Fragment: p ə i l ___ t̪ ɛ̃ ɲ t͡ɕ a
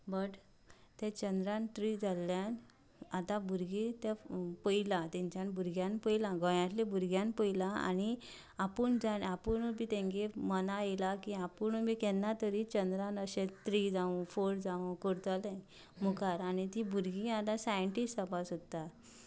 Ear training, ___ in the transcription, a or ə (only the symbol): a